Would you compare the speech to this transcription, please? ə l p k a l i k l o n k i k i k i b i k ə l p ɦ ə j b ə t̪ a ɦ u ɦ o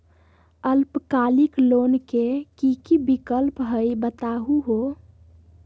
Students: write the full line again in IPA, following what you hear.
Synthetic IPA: ə l p k a l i k l o n k e k i k i b i k ə l p ɦ ə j b ə t̪ a ɦ u ɦ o